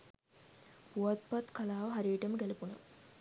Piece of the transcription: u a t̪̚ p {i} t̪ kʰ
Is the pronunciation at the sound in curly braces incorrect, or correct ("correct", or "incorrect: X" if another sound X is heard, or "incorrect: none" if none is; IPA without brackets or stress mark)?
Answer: incorrect: a